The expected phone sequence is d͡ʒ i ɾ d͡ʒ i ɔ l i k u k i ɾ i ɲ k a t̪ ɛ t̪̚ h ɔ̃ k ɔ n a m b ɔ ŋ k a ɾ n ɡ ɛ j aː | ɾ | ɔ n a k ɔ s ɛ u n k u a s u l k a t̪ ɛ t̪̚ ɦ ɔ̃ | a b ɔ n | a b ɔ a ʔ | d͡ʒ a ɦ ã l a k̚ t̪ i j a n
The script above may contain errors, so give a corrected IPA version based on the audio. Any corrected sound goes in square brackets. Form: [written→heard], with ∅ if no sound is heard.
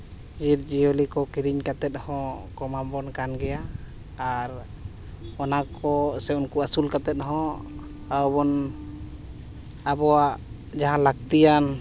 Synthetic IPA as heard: d͡ʒ i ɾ d͡ʒ i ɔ l i k [u→ɔ] k i ɾ i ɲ k a t̪ ɛ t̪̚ h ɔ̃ k ɔ [n→m] a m b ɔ [ŋ→n] k a [ɾ→∅] n ɡ ɛ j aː | ɾ | ɔ n a k ɔ s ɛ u n k u a s u l k a t̪ ɛ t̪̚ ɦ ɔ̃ | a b ɔ n | a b ɔ a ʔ | d͡ʒ a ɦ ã l a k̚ t̪ i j a n